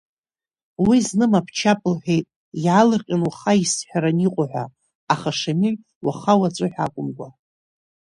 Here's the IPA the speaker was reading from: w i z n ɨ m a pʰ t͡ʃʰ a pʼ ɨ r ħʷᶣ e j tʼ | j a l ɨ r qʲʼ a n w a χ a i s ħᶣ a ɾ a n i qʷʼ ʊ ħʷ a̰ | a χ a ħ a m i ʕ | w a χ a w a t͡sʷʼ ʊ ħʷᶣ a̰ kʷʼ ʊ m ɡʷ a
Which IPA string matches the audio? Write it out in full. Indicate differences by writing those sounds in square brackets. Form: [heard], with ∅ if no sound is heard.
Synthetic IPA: w i z n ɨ m a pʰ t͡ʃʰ a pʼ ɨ [l] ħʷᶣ e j tʼ | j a l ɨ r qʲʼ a n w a χ a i s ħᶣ a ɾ a n i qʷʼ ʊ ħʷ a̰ | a χ a [ʂ] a m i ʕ | w a χ a w a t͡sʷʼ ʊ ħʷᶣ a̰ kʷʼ ʊ m ɡʷ a